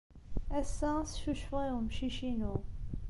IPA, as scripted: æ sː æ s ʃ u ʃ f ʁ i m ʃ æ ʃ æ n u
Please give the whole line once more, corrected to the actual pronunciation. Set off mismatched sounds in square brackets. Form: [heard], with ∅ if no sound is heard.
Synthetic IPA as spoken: æ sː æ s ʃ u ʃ f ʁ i m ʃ [i] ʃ [i] n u